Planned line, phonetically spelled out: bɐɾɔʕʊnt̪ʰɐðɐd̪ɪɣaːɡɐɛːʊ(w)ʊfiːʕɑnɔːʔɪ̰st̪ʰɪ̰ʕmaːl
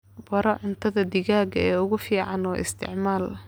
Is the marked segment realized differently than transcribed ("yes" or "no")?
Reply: yes